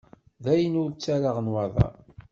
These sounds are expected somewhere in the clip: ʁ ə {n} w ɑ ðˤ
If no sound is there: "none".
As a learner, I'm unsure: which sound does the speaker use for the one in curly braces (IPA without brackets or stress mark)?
n